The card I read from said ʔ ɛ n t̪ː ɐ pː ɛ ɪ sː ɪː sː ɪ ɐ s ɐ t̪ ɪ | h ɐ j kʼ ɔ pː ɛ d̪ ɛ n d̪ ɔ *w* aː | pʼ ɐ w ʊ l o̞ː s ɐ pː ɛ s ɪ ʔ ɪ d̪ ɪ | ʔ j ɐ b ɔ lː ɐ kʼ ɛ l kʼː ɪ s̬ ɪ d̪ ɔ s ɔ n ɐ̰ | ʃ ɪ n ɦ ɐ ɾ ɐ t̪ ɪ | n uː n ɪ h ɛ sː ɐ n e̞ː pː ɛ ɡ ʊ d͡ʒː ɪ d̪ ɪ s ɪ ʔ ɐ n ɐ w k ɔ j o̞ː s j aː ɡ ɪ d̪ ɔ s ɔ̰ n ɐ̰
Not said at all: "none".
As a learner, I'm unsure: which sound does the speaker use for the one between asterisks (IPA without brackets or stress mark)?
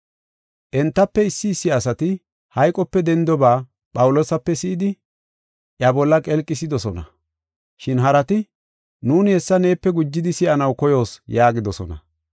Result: b